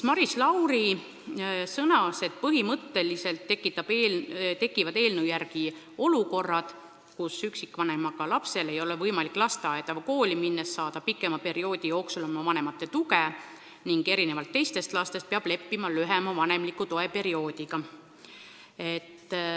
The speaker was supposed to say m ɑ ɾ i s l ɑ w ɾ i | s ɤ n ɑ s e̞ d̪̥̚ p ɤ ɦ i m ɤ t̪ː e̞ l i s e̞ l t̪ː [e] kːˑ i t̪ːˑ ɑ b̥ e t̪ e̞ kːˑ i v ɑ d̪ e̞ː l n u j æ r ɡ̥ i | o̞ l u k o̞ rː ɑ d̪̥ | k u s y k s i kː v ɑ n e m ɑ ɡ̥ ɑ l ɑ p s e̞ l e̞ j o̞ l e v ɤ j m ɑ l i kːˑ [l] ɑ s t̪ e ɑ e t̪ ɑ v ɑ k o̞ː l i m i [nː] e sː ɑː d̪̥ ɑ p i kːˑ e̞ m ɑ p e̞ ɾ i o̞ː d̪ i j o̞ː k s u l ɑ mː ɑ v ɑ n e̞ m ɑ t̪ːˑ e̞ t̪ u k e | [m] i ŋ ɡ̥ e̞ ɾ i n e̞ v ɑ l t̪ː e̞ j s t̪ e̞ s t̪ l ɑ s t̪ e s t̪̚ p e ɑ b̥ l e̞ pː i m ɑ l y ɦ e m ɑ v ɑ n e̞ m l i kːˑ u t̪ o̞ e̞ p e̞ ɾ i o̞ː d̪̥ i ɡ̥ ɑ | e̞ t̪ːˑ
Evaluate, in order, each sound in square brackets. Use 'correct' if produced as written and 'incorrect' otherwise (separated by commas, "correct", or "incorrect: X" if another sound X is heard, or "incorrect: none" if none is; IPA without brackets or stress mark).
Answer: correct, correct, correct, incorrect: n